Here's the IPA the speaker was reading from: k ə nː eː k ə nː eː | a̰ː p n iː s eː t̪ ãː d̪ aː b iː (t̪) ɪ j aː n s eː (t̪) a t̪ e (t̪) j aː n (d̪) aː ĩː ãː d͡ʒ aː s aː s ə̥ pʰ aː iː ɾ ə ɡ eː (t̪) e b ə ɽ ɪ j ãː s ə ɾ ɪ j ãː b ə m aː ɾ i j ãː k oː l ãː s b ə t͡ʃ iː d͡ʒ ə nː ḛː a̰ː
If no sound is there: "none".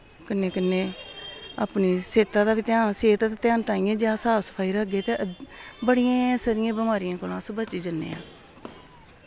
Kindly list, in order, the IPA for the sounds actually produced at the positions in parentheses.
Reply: t̪, t̪, t̪, t̪, t̪

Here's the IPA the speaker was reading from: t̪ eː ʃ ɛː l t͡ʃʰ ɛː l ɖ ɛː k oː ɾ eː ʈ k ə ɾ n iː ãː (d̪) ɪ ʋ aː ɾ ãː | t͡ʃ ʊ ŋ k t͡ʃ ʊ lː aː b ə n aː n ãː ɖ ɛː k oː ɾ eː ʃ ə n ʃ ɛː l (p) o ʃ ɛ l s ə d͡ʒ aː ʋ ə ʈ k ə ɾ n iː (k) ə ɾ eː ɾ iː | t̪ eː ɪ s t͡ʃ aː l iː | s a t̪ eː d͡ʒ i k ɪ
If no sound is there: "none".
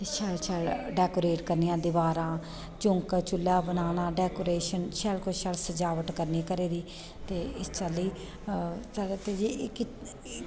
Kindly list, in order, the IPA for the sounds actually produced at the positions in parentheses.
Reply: d̪, k, k

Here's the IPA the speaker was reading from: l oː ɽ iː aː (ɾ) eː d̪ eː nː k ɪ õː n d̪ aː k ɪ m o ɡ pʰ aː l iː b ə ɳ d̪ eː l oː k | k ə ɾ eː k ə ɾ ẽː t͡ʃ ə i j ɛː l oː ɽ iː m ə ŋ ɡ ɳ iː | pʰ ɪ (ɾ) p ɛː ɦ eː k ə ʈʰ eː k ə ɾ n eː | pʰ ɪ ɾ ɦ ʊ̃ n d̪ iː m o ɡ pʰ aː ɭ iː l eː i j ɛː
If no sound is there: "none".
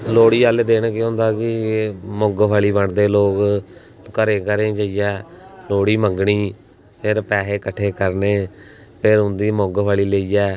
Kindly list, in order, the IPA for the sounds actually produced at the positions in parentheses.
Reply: l, ɾ

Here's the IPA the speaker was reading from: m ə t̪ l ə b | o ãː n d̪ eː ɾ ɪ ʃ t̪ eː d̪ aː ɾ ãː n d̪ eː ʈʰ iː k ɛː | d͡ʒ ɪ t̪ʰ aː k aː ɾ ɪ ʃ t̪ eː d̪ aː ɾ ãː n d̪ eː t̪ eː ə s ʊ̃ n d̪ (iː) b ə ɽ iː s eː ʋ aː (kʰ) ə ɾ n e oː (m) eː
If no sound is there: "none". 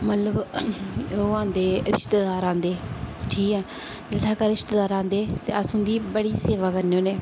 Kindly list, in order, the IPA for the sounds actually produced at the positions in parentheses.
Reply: iː, k, n

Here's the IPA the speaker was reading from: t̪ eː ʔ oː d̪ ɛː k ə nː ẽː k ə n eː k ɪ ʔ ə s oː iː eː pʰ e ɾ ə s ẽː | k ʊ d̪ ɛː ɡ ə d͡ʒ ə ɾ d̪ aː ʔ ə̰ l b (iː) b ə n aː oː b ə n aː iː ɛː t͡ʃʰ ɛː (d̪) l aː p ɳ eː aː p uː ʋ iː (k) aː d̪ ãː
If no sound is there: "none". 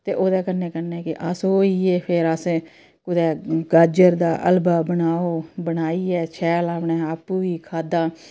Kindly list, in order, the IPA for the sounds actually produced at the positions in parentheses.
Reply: aː, none, kʰ

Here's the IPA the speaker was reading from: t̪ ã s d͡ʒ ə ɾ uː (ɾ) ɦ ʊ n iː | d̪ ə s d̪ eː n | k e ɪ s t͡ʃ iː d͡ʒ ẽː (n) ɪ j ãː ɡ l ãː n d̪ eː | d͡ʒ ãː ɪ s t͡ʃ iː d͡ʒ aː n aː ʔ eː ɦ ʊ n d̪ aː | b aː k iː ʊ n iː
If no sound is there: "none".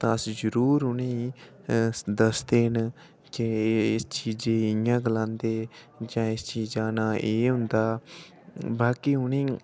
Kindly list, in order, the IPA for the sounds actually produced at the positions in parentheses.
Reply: ɾ, none

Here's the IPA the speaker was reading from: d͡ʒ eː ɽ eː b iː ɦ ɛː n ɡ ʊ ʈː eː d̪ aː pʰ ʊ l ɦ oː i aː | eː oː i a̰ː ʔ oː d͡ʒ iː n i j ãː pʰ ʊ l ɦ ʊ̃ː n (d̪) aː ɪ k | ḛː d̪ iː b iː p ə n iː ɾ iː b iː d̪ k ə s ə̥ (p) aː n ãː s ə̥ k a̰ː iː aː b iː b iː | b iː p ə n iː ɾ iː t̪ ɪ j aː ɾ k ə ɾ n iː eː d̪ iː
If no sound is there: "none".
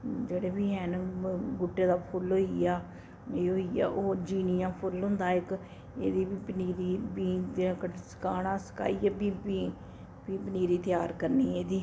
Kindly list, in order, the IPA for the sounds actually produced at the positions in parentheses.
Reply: d̪, k

